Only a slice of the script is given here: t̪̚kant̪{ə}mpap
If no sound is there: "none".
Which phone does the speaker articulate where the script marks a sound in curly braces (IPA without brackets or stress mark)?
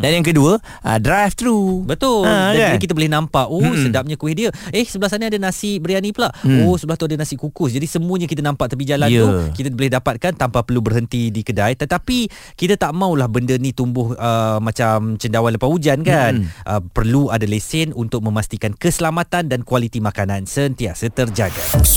a